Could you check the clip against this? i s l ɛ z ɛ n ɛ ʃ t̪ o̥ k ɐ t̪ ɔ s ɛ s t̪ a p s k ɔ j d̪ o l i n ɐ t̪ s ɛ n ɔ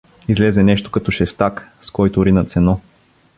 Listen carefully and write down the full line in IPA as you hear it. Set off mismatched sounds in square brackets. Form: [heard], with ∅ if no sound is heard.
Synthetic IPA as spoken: i [z] l ɛ z ɛ n ɛ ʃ t̪ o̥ k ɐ t̪ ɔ [ʃ] ɛ s t̪ a [k] s k ɔ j [t̪] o [ɾ] i n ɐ t̪ s ɛ n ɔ